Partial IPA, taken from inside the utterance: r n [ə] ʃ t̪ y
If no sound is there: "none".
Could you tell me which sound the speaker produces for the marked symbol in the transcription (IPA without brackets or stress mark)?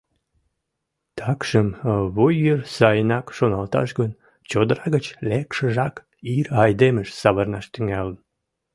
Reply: ɑ